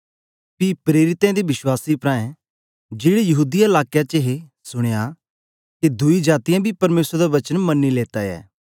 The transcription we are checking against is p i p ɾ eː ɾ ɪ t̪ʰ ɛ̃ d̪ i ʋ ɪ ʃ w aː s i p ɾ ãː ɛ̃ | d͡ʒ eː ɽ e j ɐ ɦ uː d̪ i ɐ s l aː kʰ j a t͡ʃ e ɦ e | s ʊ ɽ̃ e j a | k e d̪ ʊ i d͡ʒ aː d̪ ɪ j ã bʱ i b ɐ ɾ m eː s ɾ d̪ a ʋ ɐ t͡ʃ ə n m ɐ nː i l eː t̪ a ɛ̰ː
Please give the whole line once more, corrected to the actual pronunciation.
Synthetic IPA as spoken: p i p ɾ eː ɾ ɪ t̪ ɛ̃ d̪ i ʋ ɪ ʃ w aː s i p ɾ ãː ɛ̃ | d͡ʒ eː ɽ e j ɐ ɦ uː d̪ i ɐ l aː k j a t͡ʃ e ɦ e | s ʊ ɽ̃ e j a | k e d̪ ʊ i d͡ʒ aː t̪ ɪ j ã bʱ i p ɐ ɾ m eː s ɾ d̪ a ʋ ɐ t͡ʃ ə n m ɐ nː i l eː t̪ a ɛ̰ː